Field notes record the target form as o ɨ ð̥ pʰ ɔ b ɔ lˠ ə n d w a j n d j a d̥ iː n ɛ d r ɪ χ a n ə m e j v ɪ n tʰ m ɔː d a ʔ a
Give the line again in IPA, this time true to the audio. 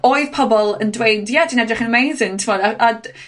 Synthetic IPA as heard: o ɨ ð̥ pʰ ɔ b ɔ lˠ ə n d w e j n d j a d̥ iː n ɛ d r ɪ χ ə n ə m e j z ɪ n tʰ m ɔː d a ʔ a